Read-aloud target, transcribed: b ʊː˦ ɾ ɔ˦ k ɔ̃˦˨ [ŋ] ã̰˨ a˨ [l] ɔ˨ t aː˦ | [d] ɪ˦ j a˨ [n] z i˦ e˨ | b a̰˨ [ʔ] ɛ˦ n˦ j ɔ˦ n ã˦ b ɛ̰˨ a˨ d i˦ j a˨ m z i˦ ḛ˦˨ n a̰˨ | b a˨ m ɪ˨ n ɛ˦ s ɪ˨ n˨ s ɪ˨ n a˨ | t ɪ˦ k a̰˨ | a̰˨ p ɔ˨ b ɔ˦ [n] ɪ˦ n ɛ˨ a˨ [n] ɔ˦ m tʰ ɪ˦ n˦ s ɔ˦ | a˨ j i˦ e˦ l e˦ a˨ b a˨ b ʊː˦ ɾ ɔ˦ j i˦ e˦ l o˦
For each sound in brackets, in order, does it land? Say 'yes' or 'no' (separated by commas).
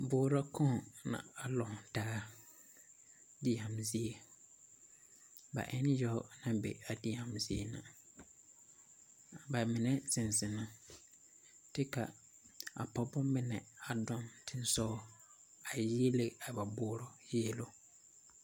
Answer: no, yes, yes, no, yes, no, no